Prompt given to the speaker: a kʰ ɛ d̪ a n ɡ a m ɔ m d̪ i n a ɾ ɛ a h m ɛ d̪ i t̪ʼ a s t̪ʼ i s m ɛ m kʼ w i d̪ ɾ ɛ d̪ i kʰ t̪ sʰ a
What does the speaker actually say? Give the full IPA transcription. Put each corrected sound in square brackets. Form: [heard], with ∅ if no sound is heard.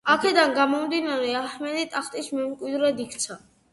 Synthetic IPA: a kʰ ɛ d̪ a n ɡ a m ɔ m d̪ i n a ɾ ɛ a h m ɛ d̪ i t̪ʼ a [χ] t̪ʼ i s m ɛ m kʼ w i d̪ ɾ ɛ d̪ i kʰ t̪ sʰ a